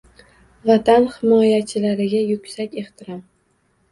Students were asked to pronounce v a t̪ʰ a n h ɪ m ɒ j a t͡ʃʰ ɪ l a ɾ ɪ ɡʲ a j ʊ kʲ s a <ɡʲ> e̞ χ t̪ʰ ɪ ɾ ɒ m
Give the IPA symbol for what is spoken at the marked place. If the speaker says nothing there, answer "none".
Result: kʲ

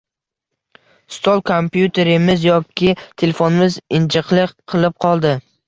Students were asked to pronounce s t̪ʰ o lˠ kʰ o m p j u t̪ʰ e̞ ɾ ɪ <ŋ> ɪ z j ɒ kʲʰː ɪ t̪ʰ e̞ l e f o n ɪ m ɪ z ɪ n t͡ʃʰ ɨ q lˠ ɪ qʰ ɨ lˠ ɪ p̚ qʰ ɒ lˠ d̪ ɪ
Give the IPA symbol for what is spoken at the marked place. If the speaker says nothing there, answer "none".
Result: m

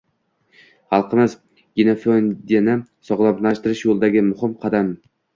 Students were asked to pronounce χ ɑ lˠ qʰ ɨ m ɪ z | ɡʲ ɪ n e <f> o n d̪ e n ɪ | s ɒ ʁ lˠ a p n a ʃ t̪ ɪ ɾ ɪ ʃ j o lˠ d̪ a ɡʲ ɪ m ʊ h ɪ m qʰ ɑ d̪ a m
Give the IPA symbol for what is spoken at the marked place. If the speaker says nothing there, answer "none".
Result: f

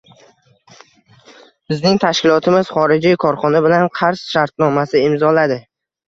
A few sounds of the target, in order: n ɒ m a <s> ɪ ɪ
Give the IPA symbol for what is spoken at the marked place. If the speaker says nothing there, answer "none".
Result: s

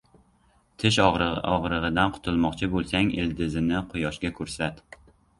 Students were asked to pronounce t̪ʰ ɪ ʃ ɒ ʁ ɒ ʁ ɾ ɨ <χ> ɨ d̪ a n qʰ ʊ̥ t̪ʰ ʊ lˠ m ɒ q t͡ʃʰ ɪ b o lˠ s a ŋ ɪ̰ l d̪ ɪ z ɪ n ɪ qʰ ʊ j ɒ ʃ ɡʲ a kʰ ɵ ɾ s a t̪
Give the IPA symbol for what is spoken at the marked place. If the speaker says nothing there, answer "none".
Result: ʁ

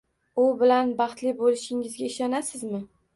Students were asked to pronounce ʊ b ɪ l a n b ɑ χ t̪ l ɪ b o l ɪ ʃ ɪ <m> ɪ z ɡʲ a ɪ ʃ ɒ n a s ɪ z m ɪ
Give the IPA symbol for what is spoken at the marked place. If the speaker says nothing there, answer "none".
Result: ŋ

